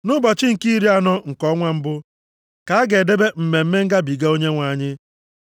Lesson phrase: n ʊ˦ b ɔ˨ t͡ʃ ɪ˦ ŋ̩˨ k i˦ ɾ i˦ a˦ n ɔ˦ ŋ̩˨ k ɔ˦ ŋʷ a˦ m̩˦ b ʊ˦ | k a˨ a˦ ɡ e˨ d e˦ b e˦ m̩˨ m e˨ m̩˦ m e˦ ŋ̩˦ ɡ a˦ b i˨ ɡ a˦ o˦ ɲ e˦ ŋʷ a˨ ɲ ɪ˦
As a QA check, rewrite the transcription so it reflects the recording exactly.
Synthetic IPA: n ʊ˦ b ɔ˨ t͡ʃ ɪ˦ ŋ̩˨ k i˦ ɾ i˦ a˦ n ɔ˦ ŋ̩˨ k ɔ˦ ŋʷ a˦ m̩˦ b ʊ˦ | k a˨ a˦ ɡ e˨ d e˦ b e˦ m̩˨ m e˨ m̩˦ m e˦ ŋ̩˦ ɡ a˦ b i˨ ɡ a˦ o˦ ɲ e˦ ŋʷ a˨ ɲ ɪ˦